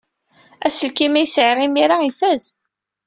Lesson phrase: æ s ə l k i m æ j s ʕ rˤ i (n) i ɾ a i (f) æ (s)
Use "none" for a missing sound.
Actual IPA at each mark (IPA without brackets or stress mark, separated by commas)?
m, f, z